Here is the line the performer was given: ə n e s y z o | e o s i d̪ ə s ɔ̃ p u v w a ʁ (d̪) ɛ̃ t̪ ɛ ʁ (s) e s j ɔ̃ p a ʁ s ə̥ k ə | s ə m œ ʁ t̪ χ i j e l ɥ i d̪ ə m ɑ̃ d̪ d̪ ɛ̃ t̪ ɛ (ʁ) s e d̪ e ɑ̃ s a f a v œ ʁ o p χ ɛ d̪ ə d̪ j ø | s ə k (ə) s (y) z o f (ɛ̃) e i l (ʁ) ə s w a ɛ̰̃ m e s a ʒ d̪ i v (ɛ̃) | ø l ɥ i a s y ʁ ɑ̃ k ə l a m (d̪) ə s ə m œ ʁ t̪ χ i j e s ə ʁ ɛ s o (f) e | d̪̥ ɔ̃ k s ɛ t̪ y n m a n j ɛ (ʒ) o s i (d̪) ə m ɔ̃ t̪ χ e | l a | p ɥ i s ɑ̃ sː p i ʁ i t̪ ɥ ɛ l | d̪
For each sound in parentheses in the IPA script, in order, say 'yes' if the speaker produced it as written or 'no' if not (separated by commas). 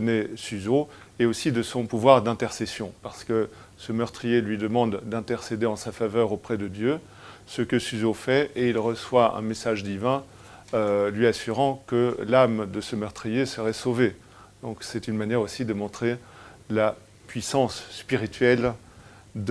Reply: yes, yes, yes, yes, yes, no, yes, yes, yes, no, no, yes